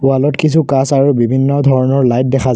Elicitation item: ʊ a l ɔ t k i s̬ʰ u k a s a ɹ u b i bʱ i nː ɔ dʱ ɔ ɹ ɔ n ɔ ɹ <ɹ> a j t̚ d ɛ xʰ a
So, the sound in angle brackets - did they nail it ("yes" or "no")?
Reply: no